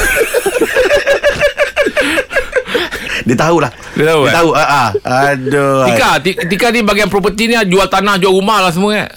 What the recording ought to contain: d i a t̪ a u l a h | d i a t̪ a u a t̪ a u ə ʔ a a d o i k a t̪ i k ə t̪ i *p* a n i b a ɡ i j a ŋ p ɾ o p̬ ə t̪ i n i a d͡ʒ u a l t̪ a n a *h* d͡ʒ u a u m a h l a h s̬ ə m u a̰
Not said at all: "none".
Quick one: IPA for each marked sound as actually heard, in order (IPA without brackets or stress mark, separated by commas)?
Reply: k, h